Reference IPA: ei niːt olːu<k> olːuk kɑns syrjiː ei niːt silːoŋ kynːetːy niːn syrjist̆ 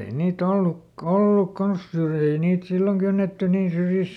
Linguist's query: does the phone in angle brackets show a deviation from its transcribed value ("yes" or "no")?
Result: no